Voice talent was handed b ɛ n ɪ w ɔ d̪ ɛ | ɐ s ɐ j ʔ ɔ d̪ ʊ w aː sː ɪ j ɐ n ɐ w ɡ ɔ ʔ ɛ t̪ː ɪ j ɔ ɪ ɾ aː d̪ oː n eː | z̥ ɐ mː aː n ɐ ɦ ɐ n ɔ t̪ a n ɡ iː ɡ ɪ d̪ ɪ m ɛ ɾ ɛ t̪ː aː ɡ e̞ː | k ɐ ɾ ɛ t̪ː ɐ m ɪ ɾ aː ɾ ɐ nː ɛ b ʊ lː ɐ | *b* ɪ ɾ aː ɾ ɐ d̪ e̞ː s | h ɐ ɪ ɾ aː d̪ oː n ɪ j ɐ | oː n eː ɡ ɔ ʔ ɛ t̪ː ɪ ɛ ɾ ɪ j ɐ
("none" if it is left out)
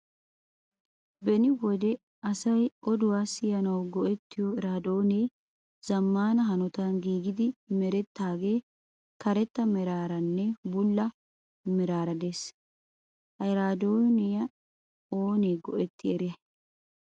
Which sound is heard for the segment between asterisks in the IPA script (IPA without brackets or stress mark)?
m